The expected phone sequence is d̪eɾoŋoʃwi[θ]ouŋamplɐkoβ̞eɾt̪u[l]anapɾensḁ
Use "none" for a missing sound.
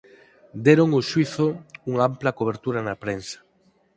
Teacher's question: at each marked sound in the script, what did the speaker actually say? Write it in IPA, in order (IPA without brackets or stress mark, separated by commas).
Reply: θ, ɾ